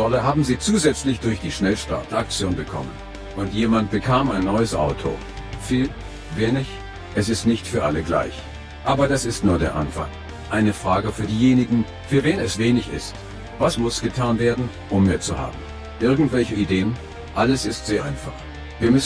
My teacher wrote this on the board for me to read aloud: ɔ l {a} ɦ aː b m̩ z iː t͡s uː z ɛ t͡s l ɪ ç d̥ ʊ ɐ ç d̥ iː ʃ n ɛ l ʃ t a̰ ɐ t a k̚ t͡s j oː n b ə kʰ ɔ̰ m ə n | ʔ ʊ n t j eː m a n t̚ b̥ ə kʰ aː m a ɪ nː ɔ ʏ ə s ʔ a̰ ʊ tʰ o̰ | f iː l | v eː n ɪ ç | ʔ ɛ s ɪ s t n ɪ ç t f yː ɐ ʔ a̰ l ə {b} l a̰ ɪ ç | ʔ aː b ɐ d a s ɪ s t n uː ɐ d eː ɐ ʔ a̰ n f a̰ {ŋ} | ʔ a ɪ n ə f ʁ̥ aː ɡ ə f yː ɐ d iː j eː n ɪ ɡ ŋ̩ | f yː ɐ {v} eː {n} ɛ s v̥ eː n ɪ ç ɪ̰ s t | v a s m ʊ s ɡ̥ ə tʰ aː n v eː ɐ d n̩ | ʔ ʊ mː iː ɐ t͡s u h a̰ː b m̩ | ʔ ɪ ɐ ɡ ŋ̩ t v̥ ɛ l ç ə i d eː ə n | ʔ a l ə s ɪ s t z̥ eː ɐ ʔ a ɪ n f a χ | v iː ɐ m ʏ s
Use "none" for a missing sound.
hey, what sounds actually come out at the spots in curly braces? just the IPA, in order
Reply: ə, ɡ, ŋ, v, n

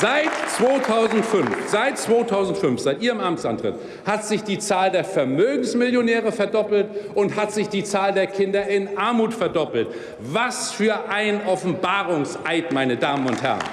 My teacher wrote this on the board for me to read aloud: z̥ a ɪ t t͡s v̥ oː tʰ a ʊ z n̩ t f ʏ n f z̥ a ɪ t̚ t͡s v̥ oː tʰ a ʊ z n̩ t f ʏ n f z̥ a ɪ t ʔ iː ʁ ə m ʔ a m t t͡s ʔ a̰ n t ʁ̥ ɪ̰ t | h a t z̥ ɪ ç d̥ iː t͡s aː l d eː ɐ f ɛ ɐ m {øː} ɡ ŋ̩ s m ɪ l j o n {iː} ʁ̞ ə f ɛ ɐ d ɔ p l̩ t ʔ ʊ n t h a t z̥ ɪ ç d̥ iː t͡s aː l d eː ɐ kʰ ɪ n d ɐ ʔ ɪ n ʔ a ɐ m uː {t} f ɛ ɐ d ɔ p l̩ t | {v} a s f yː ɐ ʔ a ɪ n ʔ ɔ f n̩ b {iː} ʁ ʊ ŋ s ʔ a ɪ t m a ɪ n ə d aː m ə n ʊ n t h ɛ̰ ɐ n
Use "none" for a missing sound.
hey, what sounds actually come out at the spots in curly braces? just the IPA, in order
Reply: øː, ɛː, t, v, aː

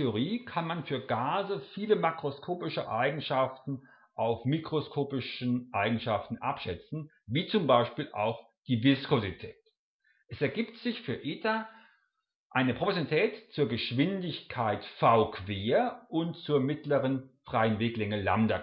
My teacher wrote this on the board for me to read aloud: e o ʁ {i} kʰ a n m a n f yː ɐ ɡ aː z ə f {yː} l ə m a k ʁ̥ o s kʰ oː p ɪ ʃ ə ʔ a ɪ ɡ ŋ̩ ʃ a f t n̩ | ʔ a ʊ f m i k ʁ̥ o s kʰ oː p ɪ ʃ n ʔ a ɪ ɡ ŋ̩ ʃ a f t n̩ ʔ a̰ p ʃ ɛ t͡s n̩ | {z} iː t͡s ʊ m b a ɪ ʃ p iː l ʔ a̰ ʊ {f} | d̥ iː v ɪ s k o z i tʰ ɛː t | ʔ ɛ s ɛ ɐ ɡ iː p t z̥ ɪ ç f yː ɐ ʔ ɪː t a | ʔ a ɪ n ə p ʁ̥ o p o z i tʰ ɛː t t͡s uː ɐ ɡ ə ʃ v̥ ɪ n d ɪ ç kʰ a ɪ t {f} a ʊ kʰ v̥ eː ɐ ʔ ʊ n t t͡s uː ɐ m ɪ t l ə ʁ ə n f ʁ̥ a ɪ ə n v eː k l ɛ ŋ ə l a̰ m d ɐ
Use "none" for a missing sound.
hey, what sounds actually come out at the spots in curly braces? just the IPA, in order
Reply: iː, iː, v, x, f

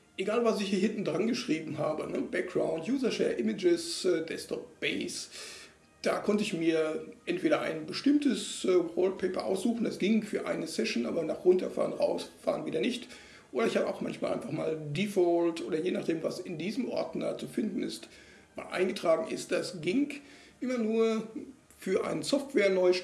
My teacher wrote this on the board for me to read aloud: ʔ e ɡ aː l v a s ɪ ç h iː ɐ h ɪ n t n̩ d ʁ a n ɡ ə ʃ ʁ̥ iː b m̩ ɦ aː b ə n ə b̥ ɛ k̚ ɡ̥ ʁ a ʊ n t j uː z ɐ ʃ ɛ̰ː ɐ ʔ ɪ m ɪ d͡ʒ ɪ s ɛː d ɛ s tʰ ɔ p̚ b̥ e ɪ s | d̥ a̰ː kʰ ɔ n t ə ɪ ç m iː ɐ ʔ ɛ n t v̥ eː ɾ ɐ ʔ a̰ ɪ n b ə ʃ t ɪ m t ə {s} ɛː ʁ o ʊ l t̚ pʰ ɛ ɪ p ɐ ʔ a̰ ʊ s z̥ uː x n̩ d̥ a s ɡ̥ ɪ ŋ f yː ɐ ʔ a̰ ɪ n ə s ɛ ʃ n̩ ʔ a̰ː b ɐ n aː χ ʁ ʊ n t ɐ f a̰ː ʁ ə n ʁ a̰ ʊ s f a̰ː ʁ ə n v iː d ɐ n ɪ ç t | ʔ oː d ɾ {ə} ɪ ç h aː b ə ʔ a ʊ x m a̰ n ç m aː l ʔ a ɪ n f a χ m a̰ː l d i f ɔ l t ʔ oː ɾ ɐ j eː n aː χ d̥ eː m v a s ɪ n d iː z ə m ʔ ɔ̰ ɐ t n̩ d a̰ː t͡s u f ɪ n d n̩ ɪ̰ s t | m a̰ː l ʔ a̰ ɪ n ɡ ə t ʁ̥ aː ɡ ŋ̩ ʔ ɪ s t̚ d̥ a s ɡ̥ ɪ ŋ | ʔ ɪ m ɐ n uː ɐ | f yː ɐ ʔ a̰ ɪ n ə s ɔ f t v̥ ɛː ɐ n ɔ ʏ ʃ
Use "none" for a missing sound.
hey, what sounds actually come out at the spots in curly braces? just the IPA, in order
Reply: s, ɐ

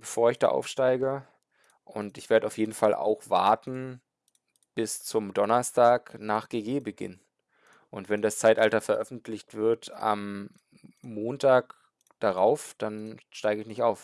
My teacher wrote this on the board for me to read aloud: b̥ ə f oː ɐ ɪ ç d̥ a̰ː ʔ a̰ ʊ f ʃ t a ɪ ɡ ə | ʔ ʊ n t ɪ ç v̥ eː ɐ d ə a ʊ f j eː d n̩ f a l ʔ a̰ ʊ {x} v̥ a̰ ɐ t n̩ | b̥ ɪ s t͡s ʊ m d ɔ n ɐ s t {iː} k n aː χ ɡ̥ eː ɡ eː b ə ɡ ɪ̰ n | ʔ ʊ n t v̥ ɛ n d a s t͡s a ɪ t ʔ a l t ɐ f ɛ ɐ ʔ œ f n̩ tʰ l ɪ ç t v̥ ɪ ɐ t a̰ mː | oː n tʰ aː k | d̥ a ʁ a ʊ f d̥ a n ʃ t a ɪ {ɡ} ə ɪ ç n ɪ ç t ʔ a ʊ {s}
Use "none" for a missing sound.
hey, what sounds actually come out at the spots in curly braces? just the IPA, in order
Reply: x, aː, ɡ, f

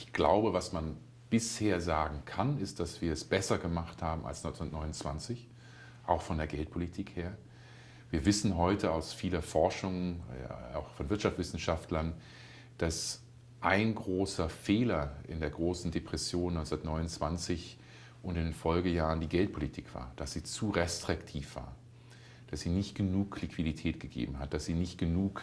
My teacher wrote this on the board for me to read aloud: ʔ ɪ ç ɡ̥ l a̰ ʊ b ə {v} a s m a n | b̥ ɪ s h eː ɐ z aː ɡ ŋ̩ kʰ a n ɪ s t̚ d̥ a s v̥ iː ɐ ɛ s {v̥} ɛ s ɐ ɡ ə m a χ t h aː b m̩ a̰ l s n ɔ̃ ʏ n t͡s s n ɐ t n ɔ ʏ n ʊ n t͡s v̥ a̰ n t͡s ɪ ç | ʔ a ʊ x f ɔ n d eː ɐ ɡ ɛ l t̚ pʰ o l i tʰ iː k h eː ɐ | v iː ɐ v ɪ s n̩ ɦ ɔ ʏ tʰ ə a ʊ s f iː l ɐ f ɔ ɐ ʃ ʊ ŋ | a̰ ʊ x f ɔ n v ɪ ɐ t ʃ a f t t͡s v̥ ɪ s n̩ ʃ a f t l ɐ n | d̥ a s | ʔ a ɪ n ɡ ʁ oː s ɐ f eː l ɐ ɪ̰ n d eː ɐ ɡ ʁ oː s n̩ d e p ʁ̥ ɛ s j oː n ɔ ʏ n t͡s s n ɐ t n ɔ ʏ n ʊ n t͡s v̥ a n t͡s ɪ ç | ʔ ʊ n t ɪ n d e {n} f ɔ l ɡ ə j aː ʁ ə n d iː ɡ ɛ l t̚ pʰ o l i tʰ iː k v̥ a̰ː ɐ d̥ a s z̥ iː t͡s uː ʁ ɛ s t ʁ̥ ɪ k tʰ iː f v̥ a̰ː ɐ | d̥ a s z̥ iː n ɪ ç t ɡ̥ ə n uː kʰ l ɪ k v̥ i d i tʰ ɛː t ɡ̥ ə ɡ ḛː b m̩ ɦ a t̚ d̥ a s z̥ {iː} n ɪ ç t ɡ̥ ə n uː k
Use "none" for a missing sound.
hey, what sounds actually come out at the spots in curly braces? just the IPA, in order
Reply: v, b̥, n, iː

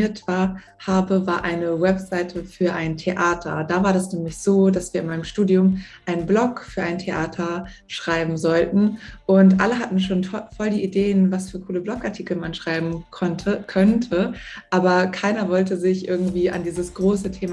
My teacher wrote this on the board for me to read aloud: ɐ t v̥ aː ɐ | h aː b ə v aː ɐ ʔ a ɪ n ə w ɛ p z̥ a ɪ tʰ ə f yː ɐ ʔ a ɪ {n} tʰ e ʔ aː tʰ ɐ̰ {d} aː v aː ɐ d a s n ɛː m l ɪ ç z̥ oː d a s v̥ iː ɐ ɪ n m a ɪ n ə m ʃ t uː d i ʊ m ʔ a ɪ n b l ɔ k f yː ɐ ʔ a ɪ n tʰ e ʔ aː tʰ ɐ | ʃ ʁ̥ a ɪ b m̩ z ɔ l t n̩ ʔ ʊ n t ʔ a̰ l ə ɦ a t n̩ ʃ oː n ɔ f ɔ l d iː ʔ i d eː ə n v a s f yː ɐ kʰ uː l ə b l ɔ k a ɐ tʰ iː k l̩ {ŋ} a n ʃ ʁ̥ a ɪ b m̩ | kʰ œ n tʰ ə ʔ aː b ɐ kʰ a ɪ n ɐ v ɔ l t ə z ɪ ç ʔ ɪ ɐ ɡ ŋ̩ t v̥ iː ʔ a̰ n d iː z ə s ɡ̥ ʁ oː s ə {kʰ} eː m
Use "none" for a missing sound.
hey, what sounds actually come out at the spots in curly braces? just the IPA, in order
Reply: n, d, m, tʰ

